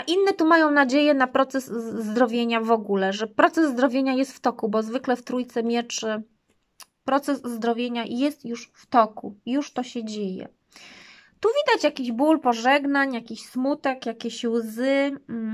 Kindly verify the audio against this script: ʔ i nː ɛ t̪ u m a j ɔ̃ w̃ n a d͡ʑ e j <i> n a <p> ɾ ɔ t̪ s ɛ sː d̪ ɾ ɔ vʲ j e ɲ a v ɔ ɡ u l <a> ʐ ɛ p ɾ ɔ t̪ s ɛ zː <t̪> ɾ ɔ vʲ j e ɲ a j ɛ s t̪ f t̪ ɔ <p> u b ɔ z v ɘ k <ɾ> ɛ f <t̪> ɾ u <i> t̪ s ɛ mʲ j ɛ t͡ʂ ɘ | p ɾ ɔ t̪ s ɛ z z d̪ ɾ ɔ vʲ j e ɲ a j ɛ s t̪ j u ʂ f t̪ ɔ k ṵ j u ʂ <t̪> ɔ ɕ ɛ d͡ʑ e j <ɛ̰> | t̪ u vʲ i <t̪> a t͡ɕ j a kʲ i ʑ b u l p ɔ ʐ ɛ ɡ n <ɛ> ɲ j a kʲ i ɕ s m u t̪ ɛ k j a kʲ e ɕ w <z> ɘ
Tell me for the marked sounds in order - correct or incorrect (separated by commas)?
incorrect, correct, incorrect, incorrect, incorrect, incorrect, correct, incorrect, correct, correct, incorrect, incorrect, correct